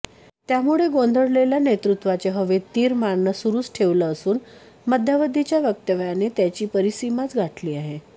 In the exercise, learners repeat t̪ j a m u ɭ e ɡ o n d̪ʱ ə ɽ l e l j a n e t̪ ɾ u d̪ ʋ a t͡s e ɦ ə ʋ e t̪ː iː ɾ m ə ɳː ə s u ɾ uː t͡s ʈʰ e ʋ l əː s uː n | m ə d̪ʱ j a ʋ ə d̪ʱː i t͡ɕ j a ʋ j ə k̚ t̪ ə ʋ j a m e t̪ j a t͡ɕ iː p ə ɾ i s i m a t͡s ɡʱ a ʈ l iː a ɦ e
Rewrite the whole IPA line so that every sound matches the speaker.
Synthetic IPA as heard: t̪ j a m u ɭ e ɡ o n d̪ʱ ə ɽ l e l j a n e t̪ ɾ u t̪ ʋ a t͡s e ɦ ə ʋ e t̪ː iː ɾ m a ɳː ə s u ɾ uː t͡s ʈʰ e ʋ l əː s uː n | m ə d̪ʱ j a ʋ ə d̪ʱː i t͡ɕ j a ʋ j ə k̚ t̪ ə ʋ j a n e t̪ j a t͡ɕ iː p ə ɾ i s i m a t͡s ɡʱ a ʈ l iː a ɦ e